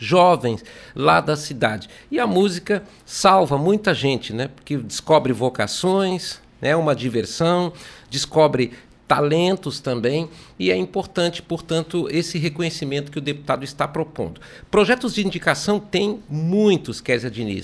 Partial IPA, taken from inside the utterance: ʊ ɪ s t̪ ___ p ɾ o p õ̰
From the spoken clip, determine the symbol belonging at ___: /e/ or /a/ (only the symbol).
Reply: a